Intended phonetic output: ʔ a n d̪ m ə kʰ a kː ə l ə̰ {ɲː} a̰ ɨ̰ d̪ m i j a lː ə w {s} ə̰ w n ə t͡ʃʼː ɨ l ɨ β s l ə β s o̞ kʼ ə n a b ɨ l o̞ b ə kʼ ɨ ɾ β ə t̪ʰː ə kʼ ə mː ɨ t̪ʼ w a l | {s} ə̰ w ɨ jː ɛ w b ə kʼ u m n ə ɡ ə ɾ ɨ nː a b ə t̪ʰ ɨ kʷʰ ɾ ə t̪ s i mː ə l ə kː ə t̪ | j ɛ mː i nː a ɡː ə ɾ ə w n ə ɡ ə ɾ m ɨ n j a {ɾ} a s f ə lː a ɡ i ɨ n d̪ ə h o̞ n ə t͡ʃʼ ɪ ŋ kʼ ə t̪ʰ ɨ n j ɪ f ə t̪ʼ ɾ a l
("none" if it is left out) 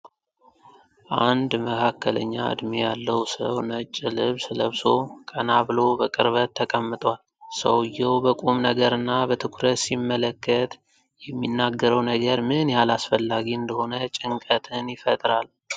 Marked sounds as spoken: ɲː, s, s, l

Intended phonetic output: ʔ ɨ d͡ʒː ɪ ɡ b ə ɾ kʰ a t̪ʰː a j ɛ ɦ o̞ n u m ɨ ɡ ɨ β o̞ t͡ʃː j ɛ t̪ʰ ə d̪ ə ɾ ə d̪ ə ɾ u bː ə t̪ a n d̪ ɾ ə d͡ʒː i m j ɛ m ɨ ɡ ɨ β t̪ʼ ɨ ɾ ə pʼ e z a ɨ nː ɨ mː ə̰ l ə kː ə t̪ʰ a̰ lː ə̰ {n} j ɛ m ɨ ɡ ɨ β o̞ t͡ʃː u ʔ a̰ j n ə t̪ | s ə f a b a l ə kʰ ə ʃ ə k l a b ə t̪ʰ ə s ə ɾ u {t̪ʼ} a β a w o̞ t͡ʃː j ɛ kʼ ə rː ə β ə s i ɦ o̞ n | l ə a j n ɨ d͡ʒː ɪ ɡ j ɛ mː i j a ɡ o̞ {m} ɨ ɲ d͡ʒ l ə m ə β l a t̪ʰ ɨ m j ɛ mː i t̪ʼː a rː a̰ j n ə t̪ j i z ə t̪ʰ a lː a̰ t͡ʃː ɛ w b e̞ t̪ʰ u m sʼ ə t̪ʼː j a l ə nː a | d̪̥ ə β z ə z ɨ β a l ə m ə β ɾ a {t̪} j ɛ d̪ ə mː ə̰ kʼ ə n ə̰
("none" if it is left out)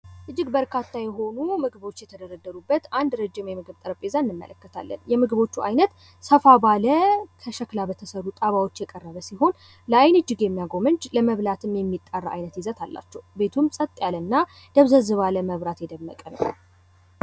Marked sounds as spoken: n, t̪ʼ, m, t̪

